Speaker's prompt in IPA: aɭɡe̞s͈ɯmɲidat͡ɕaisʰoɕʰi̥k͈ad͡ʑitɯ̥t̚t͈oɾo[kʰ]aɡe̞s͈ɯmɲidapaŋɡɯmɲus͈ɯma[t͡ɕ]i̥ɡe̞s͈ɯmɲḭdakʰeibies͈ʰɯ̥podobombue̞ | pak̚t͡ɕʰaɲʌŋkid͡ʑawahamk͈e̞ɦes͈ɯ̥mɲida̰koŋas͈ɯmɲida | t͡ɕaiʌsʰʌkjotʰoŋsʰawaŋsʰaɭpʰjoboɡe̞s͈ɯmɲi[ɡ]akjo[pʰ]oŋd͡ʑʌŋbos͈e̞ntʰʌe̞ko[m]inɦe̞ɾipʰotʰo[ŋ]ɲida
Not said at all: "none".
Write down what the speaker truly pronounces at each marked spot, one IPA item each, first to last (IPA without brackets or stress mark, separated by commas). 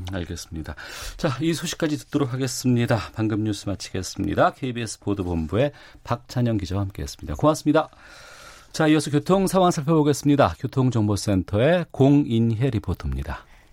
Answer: kʰ, t͡ɕʰ, d, tʰ, ŋ, m